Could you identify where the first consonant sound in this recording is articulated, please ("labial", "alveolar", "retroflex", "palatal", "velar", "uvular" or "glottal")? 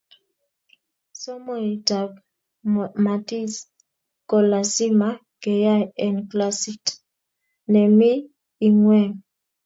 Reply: alveolar